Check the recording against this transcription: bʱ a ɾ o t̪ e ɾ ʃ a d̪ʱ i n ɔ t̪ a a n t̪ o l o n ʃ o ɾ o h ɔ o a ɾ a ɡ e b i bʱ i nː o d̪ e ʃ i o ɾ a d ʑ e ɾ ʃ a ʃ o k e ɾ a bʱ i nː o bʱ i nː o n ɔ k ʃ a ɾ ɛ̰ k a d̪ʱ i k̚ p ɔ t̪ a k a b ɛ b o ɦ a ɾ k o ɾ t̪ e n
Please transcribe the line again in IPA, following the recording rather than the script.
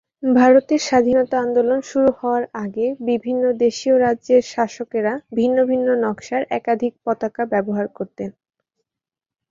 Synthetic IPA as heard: bʱ a ɾ o t̪ e ɾ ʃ a d̪ʱ i n ɔ t̪ a a n d̪ o l o n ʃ u ɾ u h ɔ o a ɾ a ɡ e b i bʱ i nː o d̪ e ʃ i o ɾ a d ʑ e ɾ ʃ a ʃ o k e ɾ a bʱ i nː o bʱ i nː o n ɔ k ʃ a ɾ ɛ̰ k a d̪ʱ i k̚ p ɔ t̪ a k a b ɛ b o ɦ a ɾ k o ɾ t̪ e n